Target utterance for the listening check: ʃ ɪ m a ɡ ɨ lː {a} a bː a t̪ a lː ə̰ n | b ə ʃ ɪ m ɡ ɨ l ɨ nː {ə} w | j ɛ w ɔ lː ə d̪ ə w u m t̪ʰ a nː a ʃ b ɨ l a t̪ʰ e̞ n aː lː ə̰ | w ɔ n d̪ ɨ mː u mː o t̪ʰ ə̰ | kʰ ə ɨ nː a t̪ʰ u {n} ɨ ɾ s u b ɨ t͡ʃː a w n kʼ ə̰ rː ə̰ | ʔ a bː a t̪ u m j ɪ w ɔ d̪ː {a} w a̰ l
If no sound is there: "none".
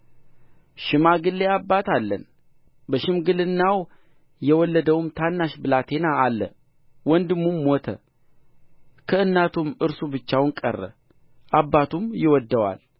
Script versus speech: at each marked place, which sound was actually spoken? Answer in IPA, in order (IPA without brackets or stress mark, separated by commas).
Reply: e, a, m, ə